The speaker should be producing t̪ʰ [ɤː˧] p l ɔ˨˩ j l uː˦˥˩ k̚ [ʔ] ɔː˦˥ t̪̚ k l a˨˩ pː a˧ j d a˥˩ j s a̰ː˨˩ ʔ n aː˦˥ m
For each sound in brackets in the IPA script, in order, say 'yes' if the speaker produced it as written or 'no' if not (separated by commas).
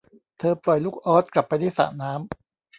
yes, yes